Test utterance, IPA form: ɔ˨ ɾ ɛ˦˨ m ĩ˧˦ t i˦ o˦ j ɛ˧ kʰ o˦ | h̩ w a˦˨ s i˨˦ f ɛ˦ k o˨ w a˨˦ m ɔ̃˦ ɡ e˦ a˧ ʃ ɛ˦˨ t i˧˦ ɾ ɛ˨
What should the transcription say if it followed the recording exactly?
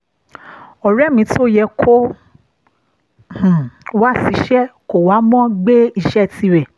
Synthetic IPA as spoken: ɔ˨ ɾ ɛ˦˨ m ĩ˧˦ t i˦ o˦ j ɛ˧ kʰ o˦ | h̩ w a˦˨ s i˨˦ ʃ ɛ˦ k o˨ w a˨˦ m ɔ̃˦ ɡ͡b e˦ i˧ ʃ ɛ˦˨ t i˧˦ ɾ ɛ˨